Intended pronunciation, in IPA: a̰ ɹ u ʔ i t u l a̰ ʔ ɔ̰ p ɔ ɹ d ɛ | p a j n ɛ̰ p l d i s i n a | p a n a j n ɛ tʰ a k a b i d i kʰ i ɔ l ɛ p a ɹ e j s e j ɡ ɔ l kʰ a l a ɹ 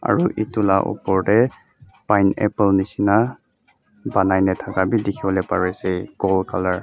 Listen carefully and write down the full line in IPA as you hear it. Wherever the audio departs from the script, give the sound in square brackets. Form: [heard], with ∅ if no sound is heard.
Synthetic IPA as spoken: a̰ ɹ u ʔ i t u l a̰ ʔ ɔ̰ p ɔ ɹ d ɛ | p a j n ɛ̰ p l [n] i s i n a | [b] a n a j n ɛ tʰ a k a b i d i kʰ i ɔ l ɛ p a ɹ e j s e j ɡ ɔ l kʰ a l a ɹ